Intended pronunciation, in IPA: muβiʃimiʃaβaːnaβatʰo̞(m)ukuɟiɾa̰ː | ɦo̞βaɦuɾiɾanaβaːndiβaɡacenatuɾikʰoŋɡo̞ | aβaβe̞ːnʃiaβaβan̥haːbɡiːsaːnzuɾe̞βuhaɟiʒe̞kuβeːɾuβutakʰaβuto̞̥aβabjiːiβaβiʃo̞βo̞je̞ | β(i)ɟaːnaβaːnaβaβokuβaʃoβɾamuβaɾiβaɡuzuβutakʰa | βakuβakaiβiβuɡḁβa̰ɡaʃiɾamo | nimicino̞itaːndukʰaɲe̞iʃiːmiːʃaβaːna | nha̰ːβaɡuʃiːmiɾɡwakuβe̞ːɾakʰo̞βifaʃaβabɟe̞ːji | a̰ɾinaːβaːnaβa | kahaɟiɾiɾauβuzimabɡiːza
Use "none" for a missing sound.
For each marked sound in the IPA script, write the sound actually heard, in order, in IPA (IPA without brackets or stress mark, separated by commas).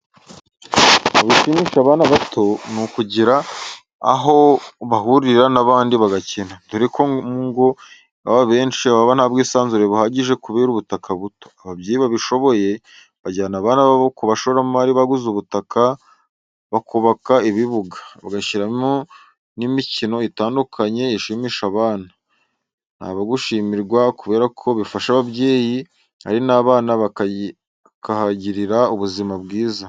n, a